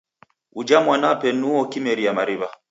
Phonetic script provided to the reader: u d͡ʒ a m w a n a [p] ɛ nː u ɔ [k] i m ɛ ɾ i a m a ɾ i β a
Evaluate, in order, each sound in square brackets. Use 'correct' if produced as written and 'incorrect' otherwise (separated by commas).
correct, correct